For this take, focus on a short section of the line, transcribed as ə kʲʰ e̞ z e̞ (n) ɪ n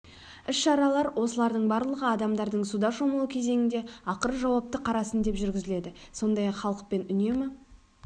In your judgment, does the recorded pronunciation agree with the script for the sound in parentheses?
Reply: no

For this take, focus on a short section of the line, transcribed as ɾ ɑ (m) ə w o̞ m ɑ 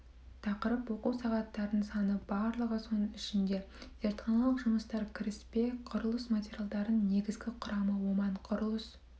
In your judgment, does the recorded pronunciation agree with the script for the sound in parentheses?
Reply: yes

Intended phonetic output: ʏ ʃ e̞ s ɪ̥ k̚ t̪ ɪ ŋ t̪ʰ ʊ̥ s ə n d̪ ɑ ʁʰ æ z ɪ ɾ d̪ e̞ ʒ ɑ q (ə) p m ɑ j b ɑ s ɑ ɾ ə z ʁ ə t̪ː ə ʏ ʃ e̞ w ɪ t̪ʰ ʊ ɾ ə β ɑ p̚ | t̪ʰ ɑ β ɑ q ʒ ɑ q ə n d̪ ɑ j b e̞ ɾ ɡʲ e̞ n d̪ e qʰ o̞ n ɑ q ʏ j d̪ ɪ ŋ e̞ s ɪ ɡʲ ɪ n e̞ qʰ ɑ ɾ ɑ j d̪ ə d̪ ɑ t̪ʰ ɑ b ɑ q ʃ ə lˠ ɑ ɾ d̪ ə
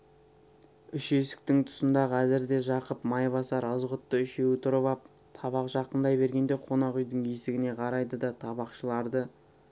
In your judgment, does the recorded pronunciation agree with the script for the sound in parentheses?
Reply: yes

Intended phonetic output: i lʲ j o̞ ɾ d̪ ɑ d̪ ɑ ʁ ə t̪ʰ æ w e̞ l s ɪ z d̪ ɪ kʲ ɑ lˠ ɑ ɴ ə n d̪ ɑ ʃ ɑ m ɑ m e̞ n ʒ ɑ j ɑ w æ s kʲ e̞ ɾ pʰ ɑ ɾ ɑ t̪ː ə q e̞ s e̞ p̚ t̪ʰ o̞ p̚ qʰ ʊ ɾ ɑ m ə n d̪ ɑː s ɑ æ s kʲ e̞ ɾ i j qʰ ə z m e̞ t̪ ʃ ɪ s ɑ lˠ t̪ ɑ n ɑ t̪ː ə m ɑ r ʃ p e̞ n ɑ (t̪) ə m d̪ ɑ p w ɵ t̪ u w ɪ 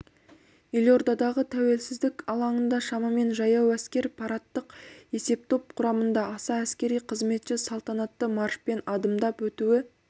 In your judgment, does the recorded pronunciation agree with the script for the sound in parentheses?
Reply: no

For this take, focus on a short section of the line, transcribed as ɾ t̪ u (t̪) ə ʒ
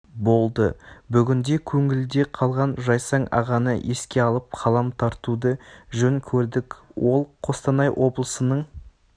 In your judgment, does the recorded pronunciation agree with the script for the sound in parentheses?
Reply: no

